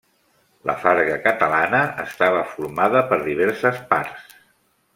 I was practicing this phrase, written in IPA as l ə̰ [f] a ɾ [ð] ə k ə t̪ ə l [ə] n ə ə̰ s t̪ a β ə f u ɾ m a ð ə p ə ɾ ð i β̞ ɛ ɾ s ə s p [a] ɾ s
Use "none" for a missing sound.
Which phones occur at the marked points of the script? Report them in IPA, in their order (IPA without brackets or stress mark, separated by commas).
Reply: f, ɣ, a, a